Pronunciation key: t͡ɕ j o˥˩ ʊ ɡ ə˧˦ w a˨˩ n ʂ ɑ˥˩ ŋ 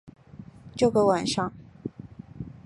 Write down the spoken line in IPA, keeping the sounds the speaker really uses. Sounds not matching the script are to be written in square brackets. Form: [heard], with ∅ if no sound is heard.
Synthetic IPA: t͡ɕ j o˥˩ ʊ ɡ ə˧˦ w a˨˩ n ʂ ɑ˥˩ ŋ